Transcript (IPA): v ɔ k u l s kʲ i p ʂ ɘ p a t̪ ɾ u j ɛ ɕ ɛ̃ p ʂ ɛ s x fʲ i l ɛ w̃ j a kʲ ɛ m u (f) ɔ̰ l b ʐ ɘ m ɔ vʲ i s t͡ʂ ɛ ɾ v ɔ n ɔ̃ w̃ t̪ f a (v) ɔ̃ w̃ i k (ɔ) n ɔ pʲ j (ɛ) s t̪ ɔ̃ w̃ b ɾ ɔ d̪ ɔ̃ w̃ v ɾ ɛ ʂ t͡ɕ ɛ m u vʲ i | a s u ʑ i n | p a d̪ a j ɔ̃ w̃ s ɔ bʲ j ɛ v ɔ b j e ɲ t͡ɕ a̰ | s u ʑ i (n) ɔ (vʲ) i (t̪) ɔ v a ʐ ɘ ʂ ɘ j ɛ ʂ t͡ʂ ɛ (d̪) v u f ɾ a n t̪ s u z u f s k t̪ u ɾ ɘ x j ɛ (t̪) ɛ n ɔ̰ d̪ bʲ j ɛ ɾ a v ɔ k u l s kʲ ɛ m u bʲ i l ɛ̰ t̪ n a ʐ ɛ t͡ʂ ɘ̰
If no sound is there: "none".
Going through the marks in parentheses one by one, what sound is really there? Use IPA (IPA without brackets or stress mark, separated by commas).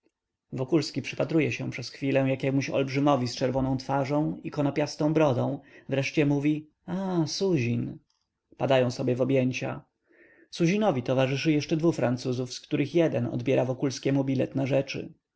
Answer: ɕ, ʐ, ɔ, a, n, vʲ, t̪, d̪, d̪